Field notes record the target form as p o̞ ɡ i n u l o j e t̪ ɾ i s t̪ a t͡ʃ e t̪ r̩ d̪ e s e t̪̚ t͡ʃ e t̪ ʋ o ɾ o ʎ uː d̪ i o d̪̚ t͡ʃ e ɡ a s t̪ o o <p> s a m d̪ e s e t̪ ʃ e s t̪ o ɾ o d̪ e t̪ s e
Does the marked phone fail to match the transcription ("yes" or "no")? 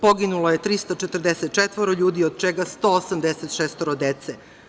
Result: yes